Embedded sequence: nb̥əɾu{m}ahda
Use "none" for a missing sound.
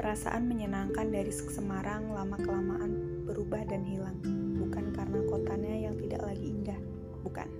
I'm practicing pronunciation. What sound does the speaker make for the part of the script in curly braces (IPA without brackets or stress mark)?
b